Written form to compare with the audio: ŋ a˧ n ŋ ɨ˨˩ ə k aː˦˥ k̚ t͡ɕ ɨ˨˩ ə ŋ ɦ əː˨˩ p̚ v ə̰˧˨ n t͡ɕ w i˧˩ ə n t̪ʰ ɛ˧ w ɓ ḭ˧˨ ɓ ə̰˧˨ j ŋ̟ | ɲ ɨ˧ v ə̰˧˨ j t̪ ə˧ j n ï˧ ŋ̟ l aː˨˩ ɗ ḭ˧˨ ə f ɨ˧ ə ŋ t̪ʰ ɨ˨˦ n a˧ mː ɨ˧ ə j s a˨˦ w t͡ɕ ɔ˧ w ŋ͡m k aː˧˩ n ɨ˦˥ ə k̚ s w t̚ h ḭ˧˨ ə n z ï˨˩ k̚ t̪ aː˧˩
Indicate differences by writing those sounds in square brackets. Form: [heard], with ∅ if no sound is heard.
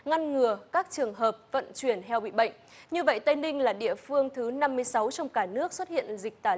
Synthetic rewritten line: ŋ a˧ n ŋ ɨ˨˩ ə k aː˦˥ k̚ t͡ɕ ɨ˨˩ ə ŋ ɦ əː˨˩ p̚ v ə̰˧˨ n t͡ɕ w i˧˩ ə n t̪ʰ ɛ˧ w ɓ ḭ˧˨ ɓ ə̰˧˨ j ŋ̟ | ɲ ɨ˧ v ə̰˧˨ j t̪ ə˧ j n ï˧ ŋ̟ l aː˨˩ ɗ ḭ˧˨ ə f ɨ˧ ə ŋ t̪ʰ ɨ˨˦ n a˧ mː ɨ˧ ə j s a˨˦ w t͡ɕ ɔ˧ w ŋ͡m k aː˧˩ n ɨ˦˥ ə k̚ s w t̚ h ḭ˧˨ ə n z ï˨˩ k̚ t̪ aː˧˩